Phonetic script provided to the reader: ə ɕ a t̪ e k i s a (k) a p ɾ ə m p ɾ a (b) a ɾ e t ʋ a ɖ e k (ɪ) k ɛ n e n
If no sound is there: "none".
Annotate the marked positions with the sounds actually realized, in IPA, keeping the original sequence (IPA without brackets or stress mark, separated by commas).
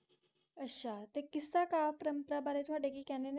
k, b, i